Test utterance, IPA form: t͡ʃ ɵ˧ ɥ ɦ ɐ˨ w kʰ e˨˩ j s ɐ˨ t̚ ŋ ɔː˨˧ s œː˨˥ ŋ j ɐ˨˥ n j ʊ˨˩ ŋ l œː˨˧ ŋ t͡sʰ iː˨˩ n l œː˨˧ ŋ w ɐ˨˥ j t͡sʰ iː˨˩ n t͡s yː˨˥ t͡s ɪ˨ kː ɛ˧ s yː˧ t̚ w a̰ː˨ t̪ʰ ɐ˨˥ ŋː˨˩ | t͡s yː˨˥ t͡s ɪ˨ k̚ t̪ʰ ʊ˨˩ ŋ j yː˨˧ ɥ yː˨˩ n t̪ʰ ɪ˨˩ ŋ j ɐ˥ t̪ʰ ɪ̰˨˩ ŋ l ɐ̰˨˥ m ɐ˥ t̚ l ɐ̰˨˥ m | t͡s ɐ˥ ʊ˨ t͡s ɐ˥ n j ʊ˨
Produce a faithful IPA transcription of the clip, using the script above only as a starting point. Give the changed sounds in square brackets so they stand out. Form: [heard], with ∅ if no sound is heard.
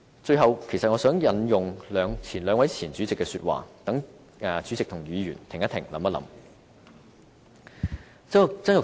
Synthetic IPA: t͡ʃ ɵ˧ ɥ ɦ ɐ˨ w kʰ e˨˩ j s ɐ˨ t̚ ŋ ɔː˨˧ s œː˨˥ ŋ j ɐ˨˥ n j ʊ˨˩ ŋ l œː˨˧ ŋ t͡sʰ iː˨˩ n l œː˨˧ ŋ w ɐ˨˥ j t͡sʰ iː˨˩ n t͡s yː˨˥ t͡s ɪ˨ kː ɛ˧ s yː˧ t̚ w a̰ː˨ [t̪] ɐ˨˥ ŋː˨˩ | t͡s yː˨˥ t͡s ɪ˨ k̚ t̪ʰ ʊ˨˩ ŋ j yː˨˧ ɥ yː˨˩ n t̪ʰ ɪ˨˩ ŋ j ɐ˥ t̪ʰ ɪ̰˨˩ ŋ l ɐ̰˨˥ m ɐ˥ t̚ l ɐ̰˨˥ m | t͡s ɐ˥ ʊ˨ t͡s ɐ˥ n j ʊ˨